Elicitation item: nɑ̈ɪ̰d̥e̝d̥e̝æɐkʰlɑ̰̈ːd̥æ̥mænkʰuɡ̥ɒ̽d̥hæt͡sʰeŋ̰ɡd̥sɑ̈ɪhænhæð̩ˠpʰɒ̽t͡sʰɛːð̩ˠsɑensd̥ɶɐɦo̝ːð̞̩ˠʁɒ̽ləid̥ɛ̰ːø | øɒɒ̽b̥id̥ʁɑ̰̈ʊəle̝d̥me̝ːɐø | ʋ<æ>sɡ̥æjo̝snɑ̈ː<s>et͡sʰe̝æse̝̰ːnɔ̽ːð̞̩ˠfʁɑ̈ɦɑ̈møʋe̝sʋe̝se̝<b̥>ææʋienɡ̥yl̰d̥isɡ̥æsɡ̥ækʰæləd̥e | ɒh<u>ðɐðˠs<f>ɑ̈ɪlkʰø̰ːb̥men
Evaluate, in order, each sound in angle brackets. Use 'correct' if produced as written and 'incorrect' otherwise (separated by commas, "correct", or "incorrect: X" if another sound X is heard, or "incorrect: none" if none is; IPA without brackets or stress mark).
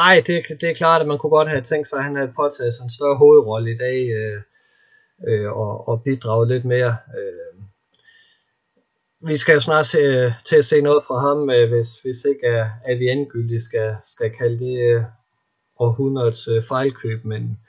incorrect: i, correct, incorrect: ɡ̥, correct, correct